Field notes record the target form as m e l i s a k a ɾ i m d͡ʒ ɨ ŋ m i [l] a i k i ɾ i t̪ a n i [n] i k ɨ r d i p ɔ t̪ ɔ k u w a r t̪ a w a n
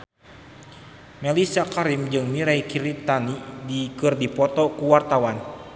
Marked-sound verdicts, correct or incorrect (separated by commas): incorrect, incorrect